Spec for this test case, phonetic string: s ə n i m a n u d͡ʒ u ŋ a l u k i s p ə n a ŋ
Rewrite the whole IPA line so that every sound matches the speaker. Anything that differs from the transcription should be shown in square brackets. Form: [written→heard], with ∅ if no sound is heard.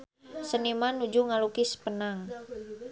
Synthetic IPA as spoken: s ə n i m a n u d͡ʒ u ŋ a l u k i s p ə n a ŋ